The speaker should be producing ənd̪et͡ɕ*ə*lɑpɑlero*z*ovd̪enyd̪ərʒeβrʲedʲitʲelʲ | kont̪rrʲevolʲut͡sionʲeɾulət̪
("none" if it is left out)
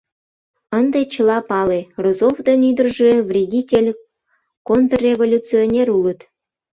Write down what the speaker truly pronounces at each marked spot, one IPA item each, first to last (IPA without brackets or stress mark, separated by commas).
ə, z